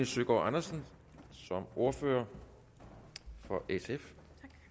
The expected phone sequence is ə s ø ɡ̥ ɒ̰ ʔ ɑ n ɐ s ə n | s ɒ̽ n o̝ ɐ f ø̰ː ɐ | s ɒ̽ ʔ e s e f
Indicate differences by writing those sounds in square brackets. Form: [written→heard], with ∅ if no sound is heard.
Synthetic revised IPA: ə s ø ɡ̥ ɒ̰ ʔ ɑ n ɐ s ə n | s ɒ̽ [n→m] o̝ ɐ f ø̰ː ɐ | [s→f] ɒ̽ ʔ e s e f